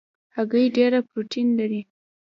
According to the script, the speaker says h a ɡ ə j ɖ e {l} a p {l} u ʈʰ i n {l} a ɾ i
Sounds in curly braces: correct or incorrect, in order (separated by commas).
incorrect, incorrect, correct